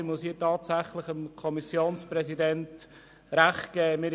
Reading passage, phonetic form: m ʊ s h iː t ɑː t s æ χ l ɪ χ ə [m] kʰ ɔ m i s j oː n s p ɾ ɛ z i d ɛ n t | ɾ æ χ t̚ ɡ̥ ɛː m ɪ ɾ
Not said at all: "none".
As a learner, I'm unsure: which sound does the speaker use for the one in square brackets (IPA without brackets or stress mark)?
m